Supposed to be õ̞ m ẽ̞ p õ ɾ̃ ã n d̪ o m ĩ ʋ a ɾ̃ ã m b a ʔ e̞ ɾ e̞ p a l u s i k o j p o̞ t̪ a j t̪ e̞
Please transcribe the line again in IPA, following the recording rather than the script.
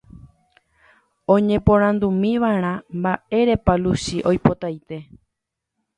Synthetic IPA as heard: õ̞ ɲ ẽ̞ p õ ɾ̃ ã n d̪ u m ĩ ʋ a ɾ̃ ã m b a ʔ e̞ ɾ e̞ p a l u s i ʔ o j p o̞ t̪ a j t̪ e̞